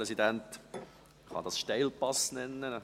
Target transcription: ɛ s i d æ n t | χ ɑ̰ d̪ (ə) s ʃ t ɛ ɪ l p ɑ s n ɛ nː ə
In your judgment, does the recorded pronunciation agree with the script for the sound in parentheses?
no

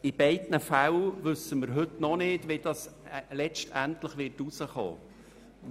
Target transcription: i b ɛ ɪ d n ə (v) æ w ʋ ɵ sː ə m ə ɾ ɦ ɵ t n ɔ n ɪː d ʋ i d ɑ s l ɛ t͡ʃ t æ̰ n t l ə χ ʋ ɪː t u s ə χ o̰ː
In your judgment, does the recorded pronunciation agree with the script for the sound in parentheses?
no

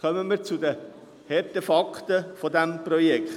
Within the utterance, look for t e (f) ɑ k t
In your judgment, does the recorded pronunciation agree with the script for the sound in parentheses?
yes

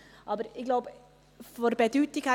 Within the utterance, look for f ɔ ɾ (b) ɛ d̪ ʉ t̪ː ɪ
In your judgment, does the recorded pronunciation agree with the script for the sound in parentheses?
yes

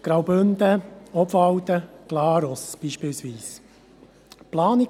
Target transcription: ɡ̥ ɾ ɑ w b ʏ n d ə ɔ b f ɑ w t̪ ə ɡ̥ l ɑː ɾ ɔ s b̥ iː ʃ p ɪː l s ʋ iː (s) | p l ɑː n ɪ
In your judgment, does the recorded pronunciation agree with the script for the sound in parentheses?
yes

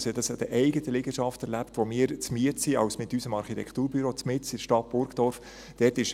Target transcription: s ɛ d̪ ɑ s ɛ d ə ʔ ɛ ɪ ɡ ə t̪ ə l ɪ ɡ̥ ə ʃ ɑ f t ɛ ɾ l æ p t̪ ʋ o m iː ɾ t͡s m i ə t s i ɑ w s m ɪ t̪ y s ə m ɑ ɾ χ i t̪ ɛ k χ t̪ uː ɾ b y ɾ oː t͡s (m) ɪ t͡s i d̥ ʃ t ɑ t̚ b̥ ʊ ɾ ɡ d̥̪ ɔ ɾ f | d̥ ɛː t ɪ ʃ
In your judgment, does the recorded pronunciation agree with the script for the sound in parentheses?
yes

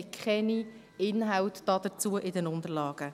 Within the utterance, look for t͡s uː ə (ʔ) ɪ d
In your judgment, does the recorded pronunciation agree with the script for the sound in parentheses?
yes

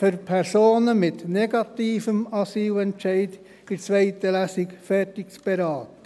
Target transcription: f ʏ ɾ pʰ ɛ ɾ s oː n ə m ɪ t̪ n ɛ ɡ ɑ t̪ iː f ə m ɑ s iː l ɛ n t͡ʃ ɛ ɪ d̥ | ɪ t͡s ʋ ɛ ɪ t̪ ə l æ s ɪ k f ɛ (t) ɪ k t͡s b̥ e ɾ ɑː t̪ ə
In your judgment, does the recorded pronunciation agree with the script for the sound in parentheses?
yes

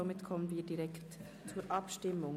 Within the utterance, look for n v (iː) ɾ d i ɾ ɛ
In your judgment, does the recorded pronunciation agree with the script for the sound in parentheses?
yes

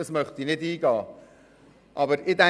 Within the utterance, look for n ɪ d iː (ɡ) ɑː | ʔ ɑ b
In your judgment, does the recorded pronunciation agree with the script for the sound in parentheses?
yes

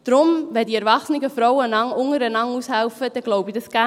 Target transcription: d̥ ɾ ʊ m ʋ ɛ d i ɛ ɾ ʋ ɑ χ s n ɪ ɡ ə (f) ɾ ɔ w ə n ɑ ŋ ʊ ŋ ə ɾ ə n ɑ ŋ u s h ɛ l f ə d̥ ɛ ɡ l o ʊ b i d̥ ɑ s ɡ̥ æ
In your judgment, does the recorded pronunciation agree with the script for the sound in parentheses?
yes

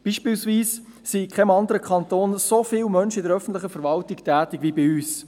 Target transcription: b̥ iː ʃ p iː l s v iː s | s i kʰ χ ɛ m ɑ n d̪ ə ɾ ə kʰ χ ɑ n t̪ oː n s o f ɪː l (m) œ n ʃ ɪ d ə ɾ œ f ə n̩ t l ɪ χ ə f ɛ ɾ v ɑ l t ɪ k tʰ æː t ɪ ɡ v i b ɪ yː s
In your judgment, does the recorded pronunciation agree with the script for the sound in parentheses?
yes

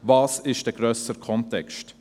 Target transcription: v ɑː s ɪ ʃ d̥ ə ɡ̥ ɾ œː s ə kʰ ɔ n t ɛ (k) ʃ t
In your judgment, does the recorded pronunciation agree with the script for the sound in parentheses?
yes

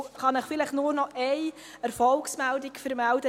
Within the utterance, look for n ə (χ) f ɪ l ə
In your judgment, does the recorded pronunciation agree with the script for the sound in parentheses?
yes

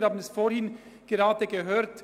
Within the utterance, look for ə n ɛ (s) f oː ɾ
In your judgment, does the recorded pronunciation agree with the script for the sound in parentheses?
yes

